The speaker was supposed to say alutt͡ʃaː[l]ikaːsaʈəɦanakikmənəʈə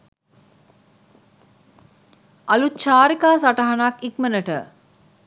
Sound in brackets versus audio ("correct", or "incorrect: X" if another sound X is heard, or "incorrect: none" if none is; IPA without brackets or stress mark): incorrect: ɾ